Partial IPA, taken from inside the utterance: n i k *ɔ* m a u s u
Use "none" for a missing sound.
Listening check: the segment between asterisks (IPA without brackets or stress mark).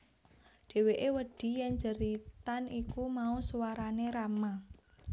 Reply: u